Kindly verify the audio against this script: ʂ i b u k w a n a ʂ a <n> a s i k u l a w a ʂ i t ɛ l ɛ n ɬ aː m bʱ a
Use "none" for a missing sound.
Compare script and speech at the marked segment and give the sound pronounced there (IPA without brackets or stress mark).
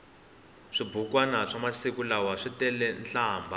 m